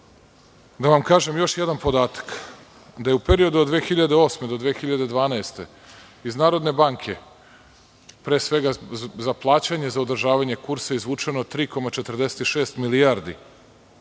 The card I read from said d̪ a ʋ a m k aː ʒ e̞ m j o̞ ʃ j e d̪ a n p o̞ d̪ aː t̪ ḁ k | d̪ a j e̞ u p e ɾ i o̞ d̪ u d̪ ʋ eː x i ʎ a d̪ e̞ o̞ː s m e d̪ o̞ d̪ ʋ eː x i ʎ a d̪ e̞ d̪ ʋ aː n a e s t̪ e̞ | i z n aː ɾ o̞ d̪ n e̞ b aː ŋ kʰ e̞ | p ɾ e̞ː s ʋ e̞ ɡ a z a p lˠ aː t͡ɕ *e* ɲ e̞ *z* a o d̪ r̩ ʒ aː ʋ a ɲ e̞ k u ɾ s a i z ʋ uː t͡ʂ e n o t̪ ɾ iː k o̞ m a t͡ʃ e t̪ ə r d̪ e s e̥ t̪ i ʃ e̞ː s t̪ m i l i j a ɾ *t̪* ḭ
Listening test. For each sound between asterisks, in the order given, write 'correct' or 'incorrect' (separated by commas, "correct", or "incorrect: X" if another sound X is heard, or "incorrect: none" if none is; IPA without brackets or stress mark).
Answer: incorrect: a, correct, incorrect: d̪